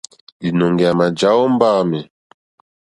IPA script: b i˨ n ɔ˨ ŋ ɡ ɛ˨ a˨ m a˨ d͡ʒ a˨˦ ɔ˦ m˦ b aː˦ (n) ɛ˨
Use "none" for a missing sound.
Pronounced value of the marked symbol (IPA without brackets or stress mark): m